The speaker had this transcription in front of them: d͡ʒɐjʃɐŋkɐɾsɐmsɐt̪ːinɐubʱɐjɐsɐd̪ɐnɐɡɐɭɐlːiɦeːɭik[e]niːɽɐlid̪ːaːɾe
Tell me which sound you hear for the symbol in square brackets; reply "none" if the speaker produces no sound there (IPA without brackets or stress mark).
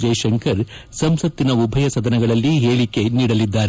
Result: e